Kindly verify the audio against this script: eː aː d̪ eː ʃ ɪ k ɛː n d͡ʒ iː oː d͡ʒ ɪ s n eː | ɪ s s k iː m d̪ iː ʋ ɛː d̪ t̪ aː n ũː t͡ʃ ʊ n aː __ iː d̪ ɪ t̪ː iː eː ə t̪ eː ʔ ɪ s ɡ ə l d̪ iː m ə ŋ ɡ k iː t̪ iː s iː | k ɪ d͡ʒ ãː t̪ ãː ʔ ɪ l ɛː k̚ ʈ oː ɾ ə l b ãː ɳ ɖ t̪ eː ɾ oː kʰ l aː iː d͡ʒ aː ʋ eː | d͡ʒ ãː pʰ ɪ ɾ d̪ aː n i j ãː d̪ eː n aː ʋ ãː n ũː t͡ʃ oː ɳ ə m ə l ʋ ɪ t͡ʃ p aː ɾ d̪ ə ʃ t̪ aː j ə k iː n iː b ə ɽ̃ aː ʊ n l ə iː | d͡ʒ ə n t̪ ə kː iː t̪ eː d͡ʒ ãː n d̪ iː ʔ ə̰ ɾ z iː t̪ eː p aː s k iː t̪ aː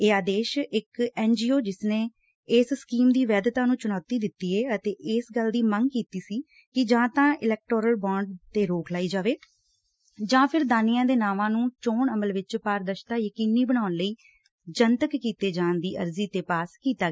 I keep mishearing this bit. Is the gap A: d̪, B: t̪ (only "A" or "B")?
B